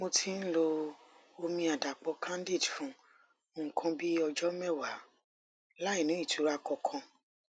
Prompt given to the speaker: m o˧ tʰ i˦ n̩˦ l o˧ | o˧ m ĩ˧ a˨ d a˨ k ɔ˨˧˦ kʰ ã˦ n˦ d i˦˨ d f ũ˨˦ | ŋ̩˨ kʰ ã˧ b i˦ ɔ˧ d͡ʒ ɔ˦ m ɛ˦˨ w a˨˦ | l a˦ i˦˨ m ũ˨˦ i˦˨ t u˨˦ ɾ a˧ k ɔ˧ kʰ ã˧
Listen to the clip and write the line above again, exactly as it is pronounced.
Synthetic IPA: m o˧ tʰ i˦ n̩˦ l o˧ | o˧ m ĩ˧ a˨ d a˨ k͡p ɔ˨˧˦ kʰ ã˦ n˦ d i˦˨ d f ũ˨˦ | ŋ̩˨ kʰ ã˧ b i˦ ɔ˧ d͡ʒ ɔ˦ m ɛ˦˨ w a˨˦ | l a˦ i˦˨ n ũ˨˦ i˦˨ t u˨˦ ɾ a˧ k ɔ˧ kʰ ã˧